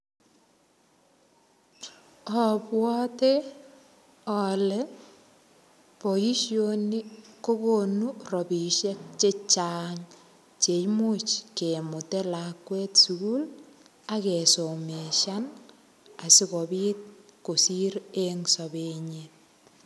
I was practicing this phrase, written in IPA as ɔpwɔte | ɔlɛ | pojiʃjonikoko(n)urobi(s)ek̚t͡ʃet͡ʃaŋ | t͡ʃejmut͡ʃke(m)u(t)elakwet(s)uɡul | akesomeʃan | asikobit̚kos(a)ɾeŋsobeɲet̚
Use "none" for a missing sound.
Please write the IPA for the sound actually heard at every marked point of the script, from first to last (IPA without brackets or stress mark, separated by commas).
n, ʃ, m, t, s, i